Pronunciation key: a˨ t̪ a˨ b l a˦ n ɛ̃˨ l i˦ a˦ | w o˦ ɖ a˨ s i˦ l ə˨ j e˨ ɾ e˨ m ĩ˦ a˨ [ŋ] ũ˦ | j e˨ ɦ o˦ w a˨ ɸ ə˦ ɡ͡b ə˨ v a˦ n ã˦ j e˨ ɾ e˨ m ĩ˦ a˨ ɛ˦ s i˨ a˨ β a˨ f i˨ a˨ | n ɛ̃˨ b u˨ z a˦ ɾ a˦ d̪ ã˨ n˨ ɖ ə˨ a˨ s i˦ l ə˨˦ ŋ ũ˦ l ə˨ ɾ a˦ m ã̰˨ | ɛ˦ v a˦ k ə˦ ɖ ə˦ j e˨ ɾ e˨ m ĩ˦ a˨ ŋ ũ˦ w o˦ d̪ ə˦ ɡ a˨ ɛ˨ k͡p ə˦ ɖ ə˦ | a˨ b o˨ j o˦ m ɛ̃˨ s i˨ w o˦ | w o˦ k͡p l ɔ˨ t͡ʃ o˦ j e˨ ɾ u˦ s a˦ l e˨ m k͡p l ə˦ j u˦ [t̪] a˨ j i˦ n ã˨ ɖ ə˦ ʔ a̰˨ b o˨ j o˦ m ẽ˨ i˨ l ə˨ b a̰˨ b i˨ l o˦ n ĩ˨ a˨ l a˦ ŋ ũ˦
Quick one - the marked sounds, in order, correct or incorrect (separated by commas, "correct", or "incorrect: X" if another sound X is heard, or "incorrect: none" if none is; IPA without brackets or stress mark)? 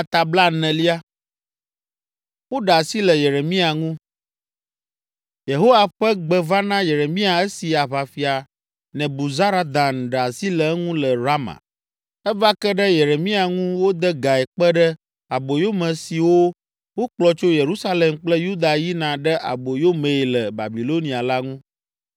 correct, incorrect: d̪